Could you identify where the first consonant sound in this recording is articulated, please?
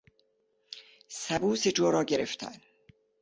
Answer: alveolar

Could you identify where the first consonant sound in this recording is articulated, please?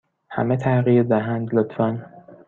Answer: glottal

